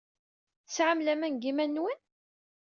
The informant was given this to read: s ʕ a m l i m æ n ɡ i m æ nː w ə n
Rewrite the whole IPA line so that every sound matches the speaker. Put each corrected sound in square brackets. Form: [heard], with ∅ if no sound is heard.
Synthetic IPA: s ʕ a m l [æ] m æ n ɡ i m æ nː w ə n